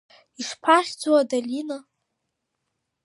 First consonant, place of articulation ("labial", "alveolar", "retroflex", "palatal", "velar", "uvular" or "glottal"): retroflex